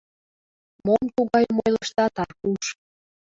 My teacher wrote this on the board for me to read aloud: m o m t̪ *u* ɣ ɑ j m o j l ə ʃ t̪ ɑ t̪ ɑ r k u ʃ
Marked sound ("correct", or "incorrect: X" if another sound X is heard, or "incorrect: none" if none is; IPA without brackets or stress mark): correct